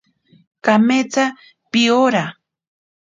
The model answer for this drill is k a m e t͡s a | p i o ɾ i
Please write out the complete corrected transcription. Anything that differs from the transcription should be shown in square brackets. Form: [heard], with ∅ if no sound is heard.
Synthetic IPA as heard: k a m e t͡s a | p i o ɾ [a]